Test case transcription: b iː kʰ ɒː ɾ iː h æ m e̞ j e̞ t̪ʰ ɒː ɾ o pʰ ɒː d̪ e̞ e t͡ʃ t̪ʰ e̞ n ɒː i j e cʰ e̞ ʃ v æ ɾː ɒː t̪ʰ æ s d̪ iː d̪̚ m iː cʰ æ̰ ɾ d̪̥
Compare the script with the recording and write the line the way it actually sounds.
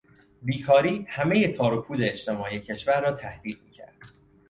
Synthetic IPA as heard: b iː kʰ ɒː ɾ iː h æ m e̞ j e̞ t̪ʰ ɒː ɾ o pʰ uː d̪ e̞ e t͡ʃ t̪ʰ e̞ m ɒː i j e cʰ e̞ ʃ v æ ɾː ɒː t̪ʰ æ h d̪ iː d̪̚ m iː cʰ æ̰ ɾ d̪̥